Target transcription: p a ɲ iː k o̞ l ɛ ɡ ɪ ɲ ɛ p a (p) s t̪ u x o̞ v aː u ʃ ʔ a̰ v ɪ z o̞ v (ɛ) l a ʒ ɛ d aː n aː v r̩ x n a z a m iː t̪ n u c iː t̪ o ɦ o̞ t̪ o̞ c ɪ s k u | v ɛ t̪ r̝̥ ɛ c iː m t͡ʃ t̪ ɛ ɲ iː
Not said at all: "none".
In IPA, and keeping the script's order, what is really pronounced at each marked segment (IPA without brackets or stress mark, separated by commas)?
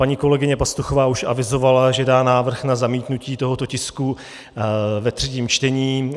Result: none, a